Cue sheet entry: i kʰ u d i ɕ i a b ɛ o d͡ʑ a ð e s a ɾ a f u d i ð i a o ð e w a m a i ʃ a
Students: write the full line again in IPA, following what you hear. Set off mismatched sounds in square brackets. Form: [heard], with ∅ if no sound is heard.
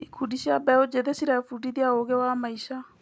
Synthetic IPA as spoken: i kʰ u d i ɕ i a b ɛ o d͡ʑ [e] ð e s [i] ɾ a f u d i ð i a o [ɣ] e w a m a i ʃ a